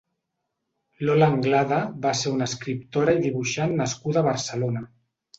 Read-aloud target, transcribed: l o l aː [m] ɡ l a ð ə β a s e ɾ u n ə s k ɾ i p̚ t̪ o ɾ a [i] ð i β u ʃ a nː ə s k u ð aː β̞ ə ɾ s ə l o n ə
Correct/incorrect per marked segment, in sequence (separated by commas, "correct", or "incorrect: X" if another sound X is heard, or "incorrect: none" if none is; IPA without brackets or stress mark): incorrect: ŋ, correct